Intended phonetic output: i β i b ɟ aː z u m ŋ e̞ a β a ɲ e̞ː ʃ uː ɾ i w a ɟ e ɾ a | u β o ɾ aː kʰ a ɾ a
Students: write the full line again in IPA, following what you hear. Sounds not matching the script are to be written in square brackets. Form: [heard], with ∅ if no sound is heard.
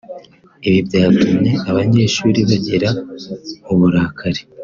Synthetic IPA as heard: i β i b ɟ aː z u m [ɲ] e̞ a β a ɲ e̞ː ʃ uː ɾ i [β] a ɟ e ɾ a | u β [u] ɾ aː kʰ a ɾ [e]